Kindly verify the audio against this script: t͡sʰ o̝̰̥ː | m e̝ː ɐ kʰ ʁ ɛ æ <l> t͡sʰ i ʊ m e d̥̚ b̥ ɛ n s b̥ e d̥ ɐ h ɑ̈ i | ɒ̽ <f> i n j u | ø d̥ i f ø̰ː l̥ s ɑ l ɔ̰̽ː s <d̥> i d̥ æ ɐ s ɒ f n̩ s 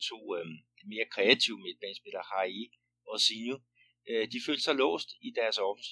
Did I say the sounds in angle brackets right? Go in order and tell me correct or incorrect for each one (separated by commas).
incorrect, incorrect, correct